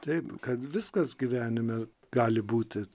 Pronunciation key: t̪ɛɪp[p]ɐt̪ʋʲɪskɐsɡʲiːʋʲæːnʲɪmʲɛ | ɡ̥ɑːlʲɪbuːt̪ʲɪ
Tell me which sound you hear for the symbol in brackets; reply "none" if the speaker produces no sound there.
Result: k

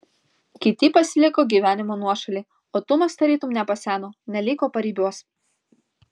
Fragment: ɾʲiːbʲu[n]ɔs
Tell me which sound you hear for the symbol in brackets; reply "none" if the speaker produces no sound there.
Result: none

